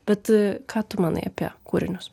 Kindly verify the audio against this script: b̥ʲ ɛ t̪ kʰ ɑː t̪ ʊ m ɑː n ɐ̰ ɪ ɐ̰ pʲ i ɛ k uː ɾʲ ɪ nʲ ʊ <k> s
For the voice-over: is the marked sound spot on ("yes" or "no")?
no